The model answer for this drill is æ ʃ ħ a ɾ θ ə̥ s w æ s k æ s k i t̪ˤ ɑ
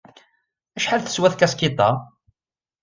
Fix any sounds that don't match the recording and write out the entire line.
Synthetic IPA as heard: æ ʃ ħ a l θ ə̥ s w æ θ k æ s k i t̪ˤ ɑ